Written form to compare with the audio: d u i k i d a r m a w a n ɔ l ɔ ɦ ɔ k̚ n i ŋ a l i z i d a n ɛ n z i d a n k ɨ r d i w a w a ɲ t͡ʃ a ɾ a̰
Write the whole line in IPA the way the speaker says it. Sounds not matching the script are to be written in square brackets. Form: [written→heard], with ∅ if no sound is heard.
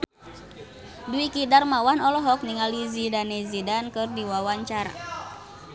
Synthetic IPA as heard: d u i k i d a r m a w a n ɔ l ɔ ɦ ɔ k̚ n i ŋ a l i z i d a n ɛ [n→∅] z i d a n k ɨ r d i w a w a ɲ t͡ʃ a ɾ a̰